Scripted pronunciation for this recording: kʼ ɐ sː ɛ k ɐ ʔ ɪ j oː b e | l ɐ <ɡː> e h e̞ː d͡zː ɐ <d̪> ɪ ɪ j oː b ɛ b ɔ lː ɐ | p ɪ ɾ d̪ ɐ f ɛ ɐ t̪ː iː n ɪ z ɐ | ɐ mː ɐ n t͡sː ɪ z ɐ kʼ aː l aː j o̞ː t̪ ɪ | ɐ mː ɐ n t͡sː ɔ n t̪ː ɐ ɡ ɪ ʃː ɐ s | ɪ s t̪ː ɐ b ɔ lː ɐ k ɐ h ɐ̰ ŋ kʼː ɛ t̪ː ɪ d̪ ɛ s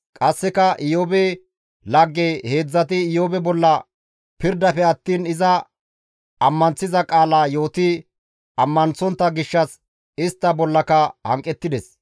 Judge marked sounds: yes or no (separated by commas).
yes, no